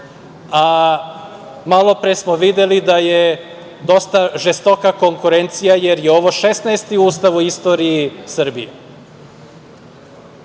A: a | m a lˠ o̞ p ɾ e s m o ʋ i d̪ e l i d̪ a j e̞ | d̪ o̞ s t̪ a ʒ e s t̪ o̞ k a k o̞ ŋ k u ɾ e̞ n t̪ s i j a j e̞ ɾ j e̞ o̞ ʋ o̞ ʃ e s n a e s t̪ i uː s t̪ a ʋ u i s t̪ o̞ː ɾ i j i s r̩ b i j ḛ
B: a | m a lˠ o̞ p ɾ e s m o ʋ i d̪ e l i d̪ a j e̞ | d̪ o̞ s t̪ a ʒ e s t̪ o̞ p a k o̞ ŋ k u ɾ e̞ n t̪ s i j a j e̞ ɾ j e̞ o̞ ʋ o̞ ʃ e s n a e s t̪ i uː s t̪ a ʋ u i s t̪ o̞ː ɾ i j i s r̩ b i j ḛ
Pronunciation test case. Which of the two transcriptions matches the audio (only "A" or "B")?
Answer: A